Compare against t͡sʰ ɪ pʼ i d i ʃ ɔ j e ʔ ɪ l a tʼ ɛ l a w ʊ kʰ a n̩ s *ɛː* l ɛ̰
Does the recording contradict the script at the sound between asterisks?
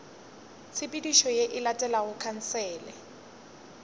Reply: no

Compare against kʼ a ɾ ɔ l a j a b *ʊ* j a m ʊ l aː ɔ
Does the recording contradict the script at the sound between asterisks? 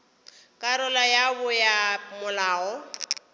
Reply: no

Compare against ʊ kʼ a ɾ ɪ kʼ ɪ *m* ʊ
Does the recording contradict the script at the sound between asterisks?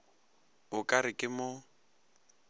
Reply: no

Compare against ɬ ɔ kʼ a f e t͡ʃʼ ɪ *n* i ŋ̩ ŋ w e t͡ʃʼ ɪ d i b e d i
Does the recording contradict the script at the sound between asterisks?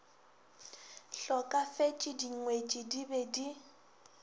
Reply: yes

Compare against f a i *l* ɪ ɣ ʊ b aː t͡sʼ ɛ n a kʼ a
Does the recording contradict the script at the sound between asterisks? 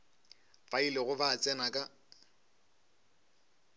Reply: no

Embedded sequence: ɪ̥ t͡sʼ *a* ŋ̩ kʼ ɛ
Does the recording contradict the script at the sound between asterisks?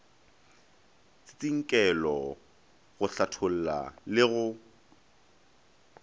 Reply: yes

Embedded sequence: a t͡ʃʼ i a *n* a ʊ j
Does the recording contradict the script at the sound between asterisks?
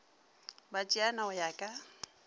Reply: no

